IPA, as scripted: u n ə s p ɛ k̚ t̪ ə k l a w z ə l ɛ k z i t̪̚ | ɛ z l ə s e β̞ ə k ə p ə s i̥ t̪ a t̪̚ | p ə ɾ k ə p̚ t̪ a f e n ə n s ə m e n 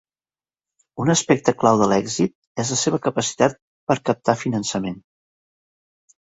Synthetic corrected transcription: u n ə s p ɛ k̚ t̪ ə k l a w ð ə l ɛ ɡ z i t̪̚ | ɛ z l ə s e β̞ ə k ə p ə s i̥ t̪ a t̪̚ | p ə ɾ k ə p̚ t̪ a f i n ə n s ə m e n